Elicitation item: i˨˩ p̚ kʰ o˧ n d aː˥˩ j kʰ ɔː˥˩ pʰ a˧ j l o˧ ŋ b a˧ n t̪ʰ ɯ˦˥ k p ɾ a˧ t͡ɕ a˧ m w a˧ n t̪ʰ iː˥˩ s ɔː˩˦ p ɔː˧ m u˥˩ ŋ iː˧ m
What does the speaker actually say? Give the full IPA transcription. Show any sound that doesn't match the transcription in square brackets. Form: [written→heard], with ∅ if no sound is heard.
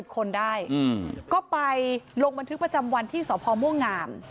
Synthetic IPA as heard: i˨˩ p̚ kʰ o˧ n d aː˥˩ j [kʰ→k] ɔː˥˩ [pʰ→p] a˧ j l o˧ ŋ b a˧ n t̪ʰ ɯ˦˥ k p ɾ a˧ t͡ɕ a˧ m w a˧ n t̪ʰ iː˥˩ s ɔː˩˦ [p→pʰ] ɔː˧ m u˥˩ ŋ [iː˧→aː˧] m